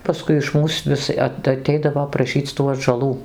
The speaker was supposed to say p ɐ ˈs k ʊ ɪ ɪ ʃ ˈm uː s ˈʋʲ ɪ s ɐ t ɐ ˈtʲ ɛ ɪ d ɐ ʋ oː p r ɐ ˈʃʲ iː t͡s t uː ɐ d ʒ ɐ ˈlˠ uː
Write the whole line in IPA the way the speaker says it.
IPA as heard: p ɐ ˈs k ʊ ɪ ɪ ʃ ˈm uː s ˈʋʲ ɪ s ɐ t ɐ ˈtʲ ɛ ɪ d ɐ ʋ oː p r ɐ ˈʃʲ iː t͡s t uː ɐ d ʒ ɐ ˈlˠ uː